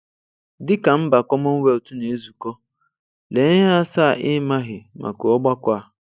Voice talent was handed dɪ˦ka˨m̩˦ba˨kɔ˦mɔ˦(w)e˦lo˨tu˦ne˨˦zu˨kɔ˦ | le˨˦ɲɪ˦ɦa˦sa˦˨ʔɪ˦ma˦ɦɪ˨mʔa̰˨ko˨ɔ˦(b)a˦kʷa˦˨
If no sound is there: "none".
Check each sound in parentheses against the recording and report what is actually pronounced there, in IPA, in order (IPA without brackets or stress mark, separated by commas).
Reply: w, ɡ͡b